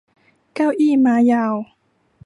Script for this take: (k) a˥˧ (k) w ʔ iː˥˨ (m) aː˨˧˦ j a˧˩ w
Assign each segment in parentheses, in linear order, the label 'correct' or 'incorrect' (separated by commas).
correct, incorrect, correct